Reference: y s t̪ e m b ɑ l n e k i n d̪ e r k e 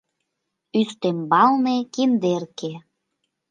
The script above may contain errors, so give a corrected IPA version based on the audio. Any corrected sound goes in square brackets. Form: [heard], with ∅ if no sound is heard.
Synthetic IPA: y s t̪ e m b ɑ l n e k i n d̪ e r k e